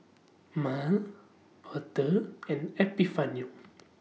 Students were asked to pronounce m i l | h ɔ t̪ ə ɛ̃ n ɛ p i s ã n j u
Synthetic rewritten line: m a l | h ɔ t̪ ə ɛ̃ n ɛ p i f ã n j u